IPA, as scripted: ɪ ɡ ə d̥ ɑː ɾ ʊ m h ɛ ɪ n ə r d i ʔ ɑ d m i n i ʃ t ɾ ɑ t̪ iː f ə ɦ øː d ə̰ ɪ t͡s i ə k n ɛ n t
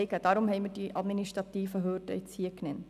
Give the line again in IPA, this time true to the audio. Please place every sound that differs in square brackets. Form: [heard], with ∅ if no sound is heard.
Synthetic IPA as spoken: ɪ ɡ ə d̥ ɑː ɾ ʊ m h ɛ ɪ [m] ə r d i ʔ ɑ d m i n i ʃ t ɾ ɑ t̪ iː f ə ɦ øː d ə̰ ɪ t͡s i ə k n ɛ n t